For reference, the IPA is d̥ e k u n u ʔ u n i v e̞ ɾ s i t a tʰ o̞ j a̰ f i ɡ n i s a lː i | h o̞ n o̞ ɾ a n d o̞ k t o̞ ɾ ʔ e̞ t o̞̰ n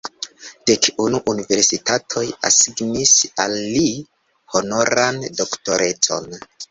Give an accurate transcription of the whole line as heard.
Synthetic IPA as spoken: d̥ e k u n u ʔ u n i v e̞ ɾ s i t a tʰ o̞ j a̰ s i ɡ n i s a lː i | h o̞ n o̞ ɾ a n d o̞ k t o̞ ɾ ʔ e̞ t͡s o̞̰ n